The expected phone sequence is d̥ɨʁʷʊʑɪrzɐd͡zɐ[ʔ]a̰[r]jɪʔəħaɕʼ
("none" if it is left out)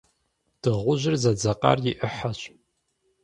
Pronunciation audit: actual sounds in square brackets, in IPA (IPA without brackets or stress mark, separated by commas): q, r